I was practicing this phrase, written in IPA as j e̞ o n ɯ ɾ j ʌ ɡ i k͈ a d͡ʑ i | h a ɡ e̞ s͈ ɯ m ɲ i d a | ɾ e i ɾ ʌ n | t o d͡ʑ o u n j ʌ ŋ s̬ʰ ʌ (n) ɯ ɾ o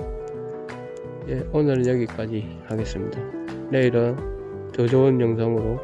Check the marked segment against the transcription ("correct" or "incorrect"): incorrect